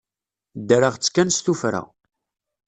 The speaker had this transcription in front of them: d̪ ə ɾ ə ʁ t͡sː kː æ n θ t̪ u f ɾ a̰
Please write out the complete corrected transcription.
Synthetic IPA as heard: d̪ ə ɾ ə ʁ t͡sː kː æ n s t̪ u f ɾ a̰